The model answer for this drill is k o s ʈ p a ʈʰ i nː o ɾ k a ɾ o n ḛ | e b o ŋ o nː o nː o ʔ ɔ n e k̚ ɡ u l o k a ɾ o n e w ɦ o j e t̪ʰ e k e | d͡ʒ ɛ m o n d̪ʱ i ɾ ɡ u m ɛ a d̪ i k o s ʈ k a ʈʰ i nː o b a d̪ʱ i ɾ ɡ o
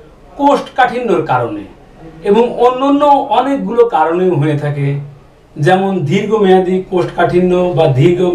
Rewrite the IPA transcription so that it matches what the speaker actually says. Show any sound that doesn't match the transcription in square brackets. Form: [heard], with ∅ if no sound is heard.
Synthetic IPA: k o s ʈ [k] a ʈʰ i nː o ɾ k a ɾ o n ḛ | e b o ŋ o nː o nː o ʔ ɔ n e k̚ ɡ u l o k a ɾ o n e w ɦ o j e t̪ʰ [a] k e | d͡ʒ ɛ m o n d̪ʱ i ɾ ɡ [o] m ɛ a d̪ i k o s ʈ k a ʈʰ i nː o b a d̪ʱ i ɾ ɡ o